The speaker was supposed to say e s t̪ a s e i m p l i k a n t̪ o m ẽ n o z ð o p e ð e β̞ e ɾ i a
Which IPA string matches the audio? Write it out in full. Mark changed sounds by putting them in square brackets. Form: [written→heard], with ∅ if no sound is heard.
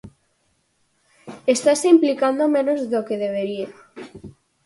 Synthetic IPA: e s t̪ a s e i m p l i k a n [t̪→d̪] o m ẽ n o z ð o [p→k] e ð e β̞ e ɾ i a